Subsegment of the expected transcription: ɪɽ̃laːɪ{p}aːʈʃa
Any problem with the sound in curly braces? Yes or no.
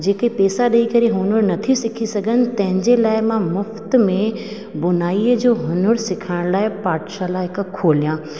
no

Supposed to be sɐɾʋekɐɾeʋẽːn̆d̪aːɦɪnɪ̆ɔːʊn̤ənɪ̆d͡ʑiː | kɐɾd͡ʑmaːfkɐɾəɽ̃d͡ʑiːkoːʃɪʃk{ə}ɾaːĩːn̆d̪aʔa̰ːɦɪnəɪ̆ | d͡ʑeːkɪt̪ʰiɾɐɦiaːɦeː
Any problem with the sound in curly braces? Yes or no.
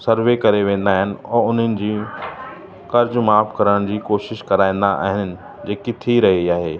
yes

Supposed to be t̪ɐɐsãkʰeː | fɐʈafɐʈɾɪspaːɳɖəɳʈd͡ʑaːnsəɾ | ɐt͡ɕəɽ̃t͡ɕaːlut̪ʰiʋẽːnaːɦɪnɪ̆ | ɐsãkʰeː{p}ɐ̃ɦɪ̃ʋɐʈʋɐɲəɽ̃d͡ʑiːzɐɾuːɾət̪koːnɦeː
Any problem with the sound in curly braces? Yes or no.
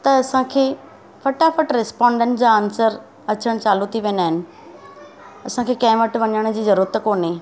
yes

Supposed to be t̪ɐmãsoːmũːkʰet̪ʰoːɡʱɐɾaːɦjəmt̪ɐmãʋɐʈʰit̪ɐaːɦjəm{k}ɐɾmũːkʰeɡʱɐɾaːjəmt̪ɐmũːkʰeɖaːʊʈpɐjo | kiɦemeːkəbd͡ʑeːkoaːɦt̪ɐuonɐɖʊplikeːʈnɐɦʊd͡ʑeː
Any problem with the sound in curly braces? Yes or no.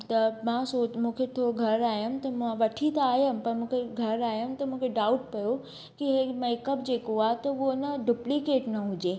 yes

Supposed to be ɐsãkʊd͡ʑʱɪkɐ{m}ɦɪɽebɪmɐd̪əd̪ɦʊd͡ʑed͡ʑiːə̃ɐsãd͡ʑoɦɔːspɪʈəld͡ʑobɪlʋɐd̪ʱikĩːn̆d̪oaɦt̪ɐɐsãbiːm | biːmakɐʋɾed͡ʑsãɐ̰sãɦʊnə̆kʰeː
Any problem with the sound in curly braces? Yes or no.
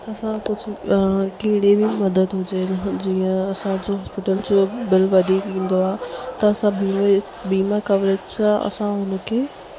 yes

